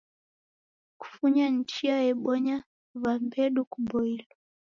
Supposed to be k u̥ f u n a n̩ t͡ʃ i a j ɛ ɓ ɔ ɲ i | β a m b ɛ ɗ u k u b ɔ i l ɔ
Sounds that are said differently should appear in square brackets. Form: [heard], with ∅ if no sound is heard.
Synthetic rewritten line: k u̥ f u [ɲ] a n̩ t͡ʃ i a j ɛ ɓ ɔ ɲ [a] | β a m b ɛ ɗ u k u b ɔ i l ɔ